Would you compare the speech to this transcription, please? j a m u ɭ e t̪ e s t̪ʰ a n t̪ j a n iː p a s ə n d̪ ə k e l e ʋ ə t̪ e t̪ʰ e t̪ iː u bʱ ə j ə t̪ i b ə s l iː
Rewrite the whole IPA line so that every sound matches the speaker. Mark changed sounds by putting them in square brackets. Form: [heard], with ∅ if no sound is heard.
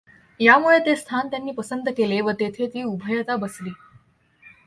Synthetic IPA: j a m u ɭ e t̪ e s t̪ʰ a n t̪ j a [nː] iː p [ə] s ə n d̪ ə k e l e ʋ ə t̪ e t̪ʰ e t̪ iː u bʱ ə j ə t̪ [a] b ə s l iː